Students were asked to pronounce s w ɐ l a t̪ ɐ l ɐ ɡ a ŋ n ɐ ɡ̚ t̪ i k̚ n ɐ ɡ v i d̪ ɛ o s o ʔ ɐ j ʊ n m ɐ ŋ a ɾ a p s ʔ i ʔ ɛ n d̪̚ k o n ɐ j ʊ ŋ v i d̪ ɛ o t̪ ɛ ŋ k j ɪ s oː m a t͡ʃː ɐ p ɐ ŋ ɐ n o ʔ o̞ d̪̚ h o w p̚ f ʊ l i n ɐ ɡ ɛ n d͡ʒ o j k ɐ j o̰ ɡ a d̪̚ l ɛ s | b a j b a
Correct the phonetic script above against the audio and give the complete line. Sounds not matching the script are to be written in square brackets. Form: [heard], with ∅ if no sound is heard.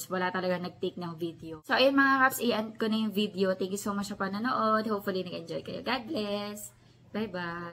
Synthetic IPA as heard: s w ɐ l a t̪ ɐ l ɐ ɡ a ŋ n ɐ ɡ̚ t̪ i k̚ n ɐ [ŋ] v i d̪ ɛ o s o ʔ ɐ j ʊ n m ɐ ŋ a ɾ a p s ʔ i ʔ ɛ n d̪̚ k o n ɐ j ʊ ŋ v i d̪ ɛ o t̪ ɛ ŋ k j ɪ s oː m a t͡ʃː ɐ p ɐ [n] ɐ n o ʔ o̞ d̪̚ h o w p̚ f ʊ l i n ɐ ɡ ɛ n d͡ʒ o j k ɐ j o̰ ɡ a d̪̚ l ɛ s | b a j b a